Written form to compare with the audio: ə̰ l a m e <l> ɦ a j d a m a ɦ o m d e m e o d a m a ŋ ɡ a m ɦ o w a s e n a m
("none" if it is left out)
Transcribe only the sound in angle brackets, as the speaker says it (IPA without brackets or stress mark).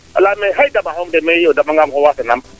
none